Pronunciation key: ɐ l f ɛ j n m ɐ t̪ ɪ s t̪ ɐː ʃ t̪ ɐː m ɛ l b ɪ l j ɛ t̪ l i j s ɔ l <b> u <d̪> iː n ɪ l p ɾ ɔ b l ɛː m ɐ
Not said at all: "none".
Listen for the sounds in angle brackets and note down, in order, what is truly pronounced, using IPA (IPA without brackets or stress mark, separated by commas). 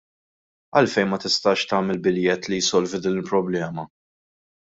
v, d̪